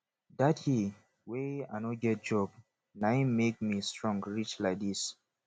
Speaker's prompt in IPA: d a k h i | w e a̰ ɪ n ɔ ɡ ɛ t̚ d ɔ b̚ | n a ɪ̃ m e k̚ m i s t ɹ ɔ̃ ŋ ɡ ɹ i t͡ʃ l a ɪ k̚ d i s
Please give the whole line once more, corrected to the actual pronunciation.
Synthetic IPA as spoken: d a t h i | w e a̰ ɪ n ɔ ɡ ɛ t̚ d͡ʒ ɔ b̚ | n a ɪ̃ m e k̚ m i s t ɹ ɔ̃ ŋ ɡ ɹ i t͡ʃ l a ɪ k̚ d i s